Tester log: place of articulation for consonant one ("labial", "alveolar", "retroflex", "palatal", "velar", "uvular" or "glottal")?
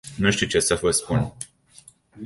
alveolar